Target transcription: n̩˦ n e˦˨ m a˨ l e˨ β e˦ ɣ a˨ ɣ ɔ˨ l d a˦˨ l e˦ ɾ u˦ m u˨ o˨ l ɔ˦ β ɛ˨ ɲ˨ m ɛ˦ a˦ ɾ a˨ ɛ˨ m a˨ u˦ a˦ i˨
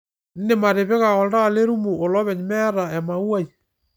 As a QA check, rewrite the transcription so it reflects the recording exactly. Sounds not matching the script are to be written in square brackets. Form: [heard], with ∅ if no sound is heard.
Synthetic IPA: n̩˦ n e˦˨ m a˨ [ɾ] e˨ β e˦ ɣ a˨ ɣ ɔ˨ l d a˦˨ l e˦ ɾ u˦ m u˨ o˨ l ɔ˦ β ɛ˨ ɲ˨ m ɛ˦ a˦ ɾ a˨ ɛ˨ m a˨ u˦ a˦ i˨

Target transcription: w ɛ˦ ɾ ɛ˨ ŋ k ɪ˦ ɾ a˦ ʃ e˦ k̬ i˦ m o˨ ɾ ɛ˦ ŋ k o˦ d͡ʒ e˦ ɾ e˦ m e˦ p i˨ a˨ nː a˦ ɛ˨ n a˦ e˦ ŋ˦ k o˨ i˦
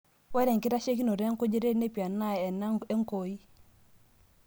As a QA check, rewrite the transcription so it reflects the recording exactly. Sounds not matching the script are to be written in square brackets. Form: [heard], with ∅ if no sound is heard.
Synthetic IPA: w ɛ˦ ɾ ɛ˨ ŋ k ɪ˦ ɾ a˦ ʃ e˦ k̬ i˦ [n] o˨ ɾ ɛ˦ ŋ k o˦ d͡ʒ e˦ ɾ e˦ [n] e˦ p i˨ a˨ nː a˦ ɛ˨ n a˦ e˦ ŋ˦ k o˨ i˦

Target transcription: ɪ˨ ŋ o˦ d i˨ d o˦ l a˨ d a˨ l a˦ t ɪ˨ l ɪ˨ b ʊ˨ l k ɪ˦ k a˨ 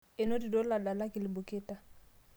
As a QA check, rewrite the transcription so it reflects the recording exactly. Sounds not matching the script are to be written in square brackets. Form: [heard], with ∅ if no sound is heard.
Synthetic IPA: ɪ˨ [n] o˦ d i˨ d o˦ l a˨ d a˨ l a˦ [k] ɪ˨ l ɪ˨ b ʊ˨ [∅] k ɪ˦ [t] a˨

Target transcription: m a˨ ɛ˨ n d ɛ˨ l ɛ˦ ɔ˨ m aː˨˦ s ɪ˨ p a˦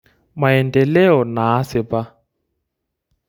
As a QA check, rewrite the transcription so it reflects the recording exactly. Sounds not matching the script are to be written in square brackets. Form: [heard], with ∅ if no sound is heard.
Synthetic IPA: m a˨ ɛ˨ n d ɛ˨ l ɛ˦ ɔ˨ [n] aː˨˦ s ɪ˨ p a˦

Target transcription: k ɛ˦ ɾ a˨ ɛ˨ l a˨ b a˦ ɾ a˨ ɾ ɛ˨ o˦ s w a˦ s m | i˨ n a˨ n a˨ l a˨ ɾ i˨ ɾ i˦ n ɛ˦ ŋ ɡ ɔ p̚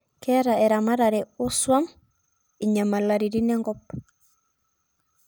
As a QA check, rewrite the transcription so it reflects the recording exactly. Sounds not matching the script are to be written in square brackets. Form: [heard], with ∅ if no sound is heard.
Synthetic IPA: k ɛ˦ ɾ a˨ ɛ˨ [ɾ] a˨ [m] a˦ ɾ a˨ ɾ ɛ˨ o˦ s w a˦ [∅] m | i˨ [ɲ] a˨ [m] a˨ l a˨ ɾ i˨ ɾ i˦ n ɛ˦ ŋ ɡ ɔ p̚

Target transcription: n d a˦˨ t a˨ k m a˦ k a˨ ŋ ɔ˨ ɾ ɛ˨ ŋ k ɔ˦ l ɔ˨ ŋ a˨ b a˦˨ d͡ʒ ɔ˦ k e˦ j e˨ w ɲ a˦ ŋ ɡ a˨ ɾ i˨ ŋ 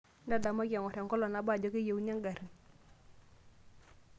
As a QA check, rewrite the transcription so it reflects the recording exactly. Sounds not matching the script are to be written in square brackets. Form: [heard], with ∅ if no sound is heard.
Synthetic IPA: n d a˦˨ [d] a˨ [∅] m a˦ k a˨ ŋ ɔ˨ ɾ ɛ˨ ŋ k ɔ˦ l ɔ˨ [n] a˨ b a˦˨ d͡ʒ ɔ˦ k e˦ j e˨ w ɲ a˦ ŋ ɡ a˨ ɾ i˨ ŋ

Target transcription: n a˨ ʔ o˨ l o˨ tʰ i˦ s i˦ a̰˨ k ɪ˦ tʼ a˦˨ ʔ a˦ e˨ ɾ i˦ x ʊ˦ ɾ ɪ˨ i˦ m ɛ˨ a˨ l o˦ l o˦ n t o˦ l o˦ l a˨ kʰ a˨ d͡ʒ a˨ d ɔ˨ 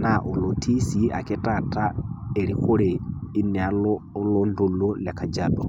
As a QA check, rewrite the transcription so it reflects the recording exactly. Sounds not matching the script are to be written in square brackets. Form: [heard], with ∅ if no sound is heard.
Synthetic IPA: n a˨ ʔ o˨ l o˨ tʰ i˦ s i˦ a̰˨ k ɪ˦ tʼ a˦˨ [t] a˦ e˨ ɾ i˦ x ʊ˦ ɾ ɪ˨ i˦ [n] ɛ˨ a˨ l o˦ l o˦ n [d] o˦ l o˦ l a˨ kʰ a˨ d͡ʒ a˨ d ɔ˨

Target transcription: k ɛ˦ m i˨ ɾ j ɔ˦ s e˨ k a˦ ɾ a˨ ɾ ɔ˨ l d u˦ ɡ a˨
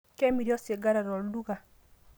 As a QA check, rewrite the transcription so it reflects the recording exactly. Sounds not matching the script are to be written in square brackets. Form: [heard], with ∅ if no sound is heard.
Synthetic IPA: k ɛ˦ m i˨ ɾ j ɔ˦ s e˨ [ɡ] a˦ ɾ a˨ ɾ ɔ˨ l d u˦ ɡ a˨

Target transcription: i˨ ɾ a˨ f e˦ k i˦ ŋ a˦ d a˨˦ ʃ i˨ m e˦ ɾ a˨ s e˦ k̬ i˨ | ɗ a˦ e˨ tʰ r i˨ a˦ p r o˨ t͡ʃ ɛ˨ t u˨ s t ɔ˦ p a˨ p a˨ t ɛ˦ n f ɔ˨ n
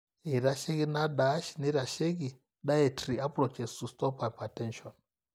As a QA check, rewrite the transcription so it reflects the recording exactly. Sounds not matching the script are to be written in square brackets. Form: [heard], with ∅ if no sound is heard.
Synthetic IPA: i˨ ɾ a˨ [ʃ] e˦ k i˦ [n] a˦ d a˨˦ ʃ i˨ [n] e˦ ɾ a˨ [ʃ] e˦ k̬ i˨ | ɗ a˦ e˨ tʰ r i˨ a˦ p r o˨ t͡ʃ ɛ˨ [s] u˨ s t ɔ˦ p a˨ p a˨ t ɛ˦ n [ʃ] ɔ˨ n

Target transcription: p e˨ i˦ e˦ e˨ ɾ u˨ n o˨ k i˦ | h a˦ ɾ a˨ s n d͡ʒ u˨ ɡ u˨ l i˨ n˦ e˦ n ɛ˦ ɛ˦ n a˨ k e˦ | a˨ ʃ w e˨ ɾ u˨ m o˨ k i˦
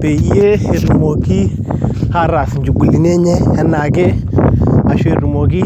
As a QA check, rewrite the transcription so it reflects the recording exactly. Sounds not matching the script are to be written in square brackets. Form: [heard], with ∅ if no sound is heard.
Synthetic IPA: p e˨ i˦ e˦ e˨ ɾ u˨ [m] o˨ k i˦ | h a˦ ɾ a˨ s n d͡ʒ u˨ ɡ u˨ l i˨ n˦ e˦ [ɲ] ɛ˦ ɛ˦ n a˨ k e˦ | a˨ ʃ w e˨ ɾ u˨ m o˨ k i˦

